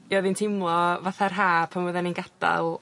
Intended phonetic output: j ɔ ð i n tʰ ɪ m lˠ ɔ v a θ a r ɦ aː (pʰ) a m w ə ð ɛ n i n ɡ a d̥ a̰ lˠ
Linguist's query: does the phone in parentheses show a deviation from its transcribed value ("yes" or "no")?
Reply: no